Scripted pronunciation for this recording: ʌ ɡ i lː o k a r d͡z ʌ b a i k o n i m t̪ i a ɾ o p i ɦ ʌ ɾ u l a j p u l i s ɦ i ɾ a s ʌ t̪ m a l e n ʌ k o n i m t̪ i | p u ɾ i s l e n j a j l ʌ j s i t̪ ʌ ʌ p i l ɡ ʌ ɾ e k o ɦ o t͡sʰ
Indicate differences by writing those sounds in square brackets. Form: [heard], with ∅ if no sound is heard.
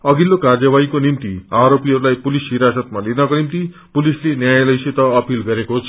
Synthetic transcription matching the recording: ʌ ɡ i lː o k a r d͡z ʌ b a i k o n i m t̪ i a ɾ o p i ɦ ʌ ɾ u l a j p u l i s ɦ i ɾ a s ʌ t̪ m a l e n ʌ k o n i m t̪ i | p u [l] i s l e n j a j l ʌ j s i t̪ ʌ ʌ p i l ɡ ʌ ɾ e k o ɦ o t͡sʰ